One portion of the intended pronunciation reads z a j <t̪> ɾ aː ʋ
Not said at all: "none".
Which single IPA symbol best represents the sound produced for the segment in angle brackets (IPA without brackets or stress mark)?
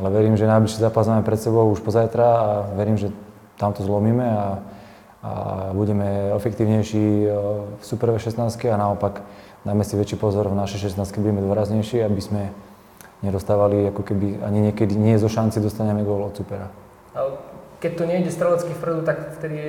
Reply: t̪